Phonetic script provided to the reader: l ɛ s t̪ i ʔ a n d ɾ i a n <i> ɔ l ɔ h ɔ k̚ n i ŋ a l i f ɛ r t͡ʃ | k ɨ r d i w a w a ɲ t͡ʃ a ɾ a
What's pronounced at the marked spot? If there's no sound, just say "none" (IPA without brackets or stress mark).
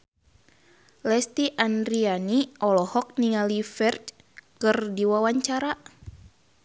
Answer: i